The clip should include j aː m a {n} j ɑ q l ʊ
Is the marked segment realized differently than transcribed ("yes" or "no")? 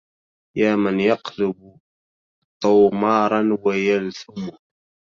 no